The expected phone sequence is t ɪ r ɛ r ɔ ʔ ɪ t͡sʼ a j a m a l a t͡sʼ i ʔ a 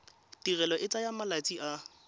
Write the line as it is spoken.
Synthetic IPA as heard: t i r ɛ l ɔ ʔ ɪ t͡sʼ a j a m a l a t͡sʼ i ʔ a